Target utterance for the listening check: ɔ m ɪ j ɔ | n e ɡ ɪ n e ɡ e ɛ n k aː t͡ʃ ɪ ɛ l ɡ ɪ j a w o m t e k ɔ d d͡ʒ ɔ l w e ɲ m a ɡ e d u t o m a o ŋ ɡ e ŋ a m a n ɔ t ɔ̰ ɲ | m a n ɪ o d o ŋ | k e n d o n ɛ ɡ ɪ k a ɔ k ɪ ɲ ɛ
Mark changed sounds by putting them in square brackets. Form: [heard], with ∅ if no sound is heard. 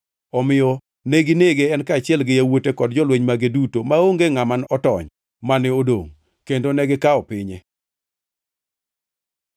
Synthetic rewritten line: ɔ m ɪ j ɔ | n e ɡ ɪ n e ɡ e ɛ n k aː t͡ʃ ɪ ɛ l ɡ ɪ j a w o [∅] t e k ɔ d d͡ʒ ɔ l w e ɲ m a ɡ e d u t o m a o ŋ ɡ e ŋ a m a n ɔ t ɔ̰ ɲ | m a n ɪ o d o ŋ | k e n d o n ɛ ɡ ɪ k a ɔ [p] ɪ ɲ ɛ